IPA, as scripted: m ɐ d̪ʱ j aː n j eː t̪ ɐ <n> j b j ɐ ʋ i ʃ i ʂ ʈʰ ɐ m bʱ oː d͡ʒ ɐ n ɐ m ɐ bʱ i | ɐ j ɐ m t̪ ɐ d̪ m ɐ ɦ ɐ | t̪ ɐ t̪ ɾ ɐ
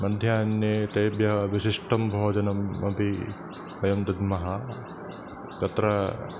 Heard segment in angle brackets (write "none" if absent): none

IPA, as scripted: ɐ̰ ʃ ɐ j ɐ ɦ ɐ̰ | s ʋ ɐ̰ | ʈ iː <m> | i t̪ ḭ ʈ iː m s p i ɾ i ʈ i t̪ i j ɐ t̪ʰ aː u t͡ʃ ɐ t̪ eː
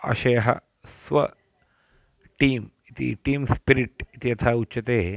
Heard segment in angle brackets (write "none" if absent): m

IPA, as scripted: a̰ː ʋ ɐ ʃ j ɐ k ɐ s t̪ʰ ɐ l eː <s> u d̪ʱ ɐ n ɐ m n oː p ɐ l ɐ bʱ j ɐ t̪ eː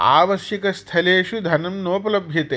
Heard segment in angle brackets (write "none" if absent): ʃ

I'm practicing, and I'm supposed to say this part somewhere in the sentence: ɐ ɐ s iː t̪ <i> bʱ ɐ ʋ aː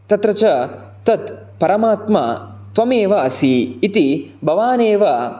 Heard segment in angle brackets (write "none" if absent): i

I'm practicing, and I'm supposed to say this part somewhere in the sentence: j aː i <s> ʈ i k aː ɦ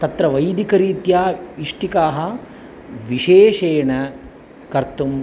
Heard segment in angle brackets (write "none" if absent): ʂ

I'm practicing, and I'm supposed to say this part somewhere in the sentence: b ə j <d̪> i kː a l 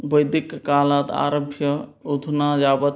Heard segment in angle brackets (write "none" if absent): d̪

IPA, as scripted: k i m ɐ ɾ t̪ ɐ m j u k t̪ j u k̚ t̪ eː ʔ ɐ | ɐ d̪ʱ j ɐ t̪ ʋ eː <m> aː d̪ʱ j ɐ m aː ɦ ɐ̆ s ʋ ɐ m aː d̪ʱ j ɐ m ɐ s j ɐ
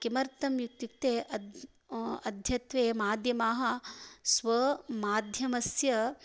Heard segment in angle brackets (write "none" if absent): m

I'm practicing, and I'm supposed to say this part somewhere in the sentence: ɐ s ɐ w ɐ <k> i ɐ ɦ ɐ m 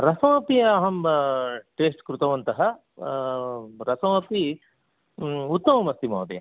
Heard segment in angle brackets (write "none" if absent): p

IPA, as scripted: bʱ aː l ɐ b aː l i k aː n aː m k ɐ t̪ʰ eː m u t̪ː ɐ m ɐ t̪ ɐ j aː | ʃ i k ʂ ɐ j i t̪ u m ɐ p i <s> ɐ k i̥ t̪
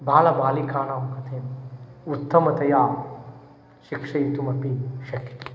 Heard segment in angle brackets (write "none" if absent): ʃ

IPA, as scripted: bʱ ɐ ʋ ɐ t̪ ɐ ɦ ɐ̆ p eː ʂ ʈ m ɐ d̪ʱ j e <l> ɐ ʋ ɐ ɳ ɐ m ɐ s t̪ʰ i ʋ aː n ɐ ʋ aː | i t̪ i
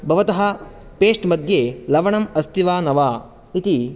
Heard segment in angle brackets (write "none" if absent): l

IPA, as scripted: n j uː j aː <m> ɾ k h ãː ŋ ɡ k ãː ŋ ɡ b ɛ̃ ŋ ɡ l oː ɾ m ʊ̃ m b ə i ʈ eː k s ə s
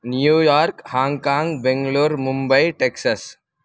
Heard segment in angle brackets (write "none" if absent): none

